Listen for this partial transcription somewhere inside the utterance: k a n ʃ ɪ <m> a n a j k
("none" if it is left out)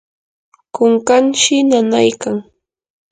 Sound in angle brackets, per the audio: n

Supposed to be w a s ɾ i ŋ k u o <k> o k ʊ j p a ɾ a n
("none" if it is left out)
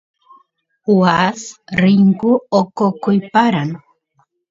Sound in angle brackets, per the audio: k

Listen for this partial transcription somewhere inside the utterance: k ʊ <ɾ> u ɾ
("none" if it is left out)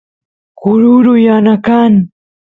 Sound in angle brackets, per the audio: ɾ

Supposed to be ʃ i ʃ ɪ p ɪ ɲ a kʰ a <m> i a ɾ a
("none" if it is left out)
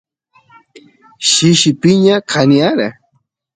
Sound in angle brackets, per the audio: n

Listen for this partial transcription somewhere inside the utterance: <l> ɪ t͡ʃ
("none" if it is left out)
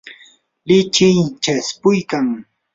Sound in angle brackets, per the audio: l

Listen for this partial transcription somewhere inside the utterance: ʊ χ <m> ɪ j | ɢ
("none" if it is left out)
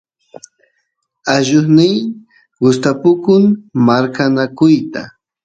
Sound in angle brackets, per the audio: n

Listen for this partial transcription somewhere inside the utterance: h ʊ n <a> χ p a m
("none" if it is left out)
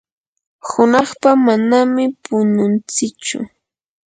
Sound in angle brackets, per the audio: ɑ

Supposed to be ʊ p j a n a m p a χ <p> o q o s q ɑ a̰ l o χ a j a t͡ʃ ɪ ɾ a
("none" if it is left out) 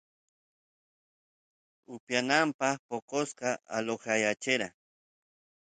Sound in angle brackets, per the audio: p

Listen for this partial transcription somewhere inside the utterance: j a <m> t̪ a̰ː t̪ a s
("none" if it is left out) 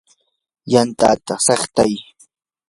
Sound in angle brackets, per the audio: n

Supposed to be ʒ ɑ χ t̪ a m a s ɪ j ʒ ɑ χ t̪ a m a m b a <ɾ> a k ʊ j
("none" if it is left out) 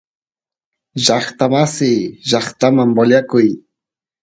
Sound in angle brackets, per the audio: ʎ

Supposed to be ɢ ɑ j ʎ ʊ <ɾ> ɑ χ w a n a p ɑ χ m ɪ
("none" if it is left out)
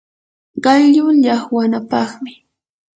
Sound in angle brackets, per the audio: ʎ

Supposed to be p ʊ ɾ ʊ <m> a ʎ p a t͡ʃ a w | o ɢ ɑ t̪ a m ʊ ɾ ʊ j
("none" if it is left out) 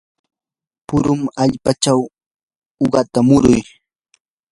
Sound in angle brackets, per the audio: m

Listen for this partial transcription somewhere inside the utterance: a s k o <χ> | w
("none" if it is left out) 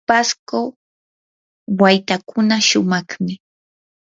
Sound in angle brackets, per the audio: none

